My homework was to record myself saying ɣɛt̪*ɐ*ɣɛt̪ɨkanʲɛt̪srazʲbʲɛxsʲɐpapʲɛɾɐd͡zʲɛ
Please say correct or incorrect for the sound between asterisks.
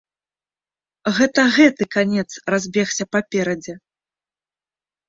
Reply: correct